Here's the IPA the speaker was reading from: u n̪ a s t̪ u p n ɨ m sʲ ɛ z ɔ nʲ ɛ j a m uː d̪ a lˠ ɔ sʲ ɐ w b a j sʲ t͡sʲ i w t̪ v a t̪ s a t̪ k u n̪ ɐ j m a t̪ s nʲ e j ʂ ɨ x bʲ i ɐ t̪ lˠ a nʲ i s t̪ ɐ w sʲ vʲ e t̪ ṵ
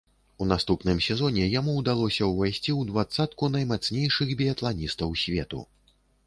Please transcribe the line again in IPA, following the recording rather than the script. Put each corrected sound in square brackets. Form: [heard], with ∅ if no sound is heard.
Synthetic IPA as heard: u n̪ a s t̪ u p n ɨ m sʲ ɛ z ɔ nʲ ɛ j a m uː d̪ a lˠ ɔ sʲ ɐ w [v] a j sʲ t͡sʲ i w [d̪] v a t̪ s a t̪ k u n̪ ɐ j m a t̪ s nʲ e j ʂ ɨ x bʲ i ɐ t̪ lˠ a nʲ i s t̪ ɐ w sʲ vʲ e t̪ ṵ